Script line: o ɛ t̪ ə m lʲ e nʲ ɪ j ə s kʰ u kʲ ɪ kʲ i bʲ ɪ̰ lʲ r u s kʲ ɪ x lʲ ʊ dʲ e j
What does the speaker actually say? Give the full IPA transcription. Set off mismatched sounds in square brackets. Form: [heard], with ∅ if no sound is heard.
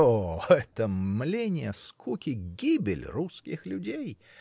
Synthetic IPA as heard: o ɛ t̪ ə m lʲ e nʲ ɪ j ə s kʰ u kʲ ɪ [ɡʲ] i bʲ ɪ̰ lʲ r u s kʲ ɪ x lʲ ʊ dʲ e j